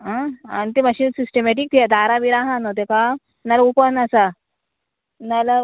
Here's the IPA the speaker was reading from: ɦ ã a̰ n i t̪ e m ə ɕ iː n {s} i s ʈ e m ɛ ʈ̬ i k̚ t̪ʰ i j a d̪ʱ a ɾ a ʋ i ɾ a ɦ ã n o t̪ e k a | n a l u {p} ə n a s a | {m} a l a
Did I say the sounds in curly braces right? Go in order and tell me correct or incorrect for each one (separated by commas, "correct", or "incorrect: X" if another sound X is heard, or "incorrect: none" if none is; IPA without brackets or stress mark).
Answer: correct, correct, incorrect: n